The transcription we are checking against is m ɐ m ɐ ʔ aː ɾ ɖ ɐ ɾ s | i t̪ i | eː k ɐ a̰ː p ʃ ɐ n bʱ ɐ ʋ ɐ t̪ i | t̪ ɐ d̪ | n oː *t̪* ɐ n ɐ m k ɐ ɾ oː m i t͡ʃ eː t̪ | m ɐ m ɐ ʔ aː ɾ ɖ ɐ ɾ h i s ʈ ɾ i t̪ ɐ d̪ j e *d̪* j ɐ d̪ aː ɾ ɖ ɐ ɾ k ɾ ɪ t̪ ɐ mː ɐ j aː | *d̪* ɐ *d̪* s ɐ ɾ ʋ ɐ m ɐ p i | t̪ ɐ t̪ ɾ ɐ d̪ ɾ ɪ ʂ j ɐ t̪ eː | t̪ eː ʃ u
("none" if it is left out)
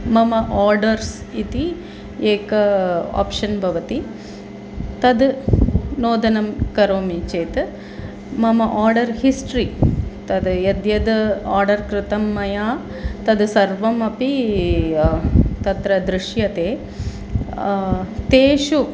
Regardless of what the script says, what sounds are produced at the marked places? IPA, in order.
d̪, d̪, t̪, d̪

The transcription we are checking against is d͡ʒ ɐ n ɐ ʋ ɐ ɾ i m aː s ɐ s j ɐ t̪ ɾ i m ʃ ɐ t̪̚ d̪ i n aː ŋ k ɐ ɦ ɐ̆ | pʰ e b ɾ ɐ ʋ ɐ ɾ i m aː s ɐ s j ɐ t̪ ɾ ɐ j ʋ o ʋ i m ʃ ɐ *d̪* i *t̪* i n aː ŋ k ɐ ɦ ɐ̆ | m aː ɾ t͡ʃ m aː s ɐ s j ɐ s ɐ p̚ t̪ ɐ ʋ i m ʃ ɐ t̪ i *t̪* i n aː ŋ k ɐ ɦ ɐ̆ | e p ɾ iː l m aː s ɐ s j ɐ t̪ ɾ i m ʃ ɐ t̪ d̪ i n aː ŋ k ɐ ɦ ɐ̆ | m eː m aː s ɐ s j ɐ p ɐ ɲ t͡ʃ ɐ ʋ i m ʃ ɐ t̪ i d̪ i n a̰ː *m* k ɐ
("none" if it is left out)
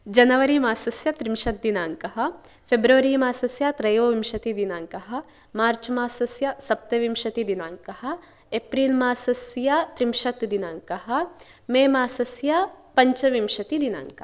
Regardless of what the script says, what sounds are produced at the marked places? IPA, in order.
t̪, d̪, d̪, ŋ

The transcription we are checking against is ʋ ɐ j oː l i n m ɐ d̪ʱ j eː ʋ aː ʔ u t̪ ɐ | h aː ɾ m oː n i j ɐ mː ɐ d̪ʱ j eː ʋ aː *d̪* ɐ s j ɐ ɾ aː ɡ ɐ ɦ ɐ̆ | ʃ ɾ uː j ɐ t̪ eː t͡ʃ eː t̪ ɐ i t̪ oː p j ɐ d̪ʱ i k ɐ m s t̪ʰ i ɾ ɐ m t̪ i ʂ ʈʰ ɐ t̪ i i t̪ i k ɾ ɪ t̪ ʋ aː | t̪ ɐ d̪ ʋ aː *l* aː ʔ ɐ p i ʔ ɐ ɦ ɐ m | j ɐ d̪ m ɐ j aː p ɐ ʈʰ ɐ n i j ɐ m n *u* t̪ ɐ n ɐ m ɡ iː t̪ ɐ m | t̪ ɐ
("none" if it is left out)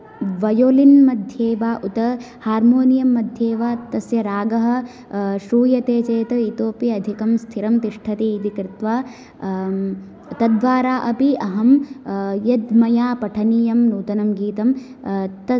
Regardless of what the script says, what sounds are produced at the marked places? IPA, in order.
t̪, ɾ, uː

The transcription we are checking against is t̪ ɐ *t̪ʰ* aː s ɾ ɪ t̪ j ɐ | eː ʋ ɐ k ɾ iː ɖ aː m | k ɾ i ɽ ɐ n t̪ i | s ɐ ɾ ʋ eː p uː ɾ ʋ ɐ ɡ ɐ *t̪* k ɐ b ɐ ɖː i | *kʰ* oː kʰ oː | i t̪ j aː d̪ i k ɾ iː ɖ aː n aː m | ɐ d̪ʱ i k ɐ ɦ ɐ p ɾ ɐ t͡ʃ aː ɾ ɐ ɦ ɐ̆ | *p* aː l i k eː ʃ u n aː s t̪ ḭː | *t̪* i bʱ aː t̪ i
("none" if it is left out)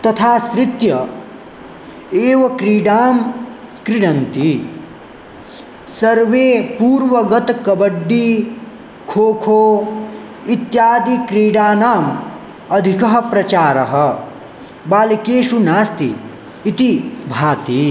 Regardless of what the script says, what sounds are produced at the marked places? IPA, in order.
t̪ʰ, t̪, kʰ, b, t̪

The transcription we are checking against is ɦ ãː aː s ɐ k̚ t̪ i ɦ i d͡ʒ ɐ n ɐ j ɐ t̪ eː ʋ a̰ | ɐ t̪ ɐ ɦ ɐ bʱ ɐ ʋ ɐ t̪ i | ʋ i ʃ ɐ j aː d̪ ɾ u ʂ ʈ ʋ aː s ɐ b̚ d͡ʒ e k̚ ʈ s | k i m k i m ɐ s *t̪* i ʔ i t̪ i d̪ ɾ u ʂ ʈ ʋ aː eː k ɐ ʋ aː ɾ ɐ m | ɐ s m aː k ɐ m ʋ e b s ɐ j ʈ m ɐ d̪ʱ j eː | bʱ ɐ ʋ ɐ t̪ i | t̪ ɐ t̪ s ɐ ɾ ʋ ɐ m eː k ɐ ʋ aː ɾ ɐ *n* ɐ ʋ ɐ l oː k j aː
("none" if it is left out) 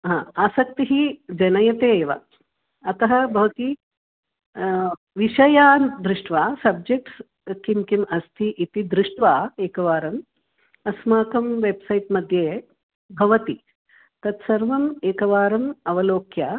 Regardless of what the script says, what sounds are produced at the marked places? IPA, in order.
t̪ʰ, m

